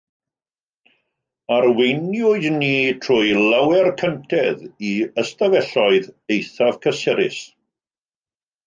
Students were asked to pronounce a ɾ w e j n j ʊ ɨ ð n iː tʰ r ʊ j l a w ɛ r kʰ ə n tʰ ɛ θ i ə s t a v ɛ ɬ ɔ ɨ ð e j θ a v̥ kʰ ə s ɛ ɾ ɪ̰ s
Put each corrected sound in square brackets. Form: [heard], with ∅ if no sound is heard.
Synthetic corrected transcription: a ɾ w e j n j ʊ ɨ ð n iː tʰ r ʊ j l a w ɛ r kʰ ə n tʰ ɛ [ð] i ə s t a v ɛ ɬ ɔ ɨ ð e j θ a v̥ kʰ ə s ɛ ɾ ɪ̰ s